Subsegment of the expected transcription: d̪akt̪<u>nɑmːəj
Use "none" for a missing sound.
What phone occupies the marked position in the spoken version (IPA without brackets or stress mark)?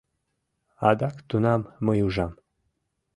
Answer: u